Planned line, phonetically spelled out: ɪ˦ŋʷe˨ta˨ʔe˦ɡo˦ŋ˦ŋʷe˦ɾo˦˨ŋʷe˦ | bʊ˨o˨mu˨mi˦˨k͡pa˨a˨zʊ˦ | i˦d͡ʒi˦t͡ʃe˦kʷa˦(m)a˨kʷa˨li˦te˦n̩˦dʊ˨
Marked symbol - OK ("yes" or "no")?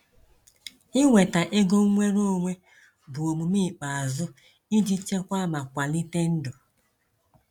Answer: yes